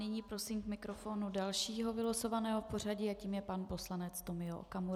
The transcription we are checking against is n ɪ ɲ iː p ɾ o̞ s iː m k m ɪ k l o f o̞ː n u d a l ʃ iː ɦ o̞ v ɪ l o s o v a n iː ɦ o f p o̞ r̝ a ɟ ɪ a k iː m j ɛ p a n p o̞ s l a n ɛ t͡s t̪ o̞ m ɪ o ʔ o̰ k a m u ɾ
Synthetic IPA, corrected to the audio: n ɪ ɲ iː p ɾ o̞ s iː m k m ɪ k ɾ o f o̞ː n u d a l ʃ iː ɦ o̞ v ɪ l o s o v a n ɛː ɦ o f p o̞ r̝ a ɟ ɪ a c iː m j ɛ p a n p o̞ s l a n ɛ t͡s t̪ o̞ m ɪ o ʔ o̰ k a m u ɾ